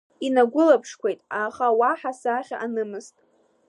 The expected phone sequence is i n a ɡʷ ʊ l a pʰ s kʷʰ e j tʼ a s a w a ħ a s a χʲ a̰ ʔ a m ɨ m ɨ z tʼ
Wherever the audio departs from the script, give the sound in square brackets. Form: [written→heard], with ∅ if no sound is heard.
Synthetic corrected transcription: i n a ɡʷ ʊ l a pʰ [s→ʂ] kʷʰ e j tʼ a [s→χ] a w a ħ a s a χʲ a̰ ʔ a [m→n] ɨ m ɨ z tʼ